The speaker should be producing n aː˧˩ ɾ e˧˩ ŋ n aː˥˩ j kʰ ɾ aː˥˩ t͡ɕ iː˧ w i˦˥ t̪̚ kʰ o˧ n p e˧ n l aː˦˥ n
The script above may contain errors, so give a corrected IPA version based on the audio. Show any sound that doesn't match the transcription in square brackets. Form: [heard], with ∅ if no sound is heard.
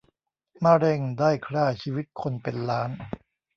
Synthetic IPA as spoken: [m] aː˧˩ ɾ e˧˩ ŋ [d] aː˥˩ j kʰ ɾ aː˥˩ [t͡ɕʰ] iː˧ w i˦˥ t̪̚ kʰ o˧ n p e˧ n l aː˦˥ n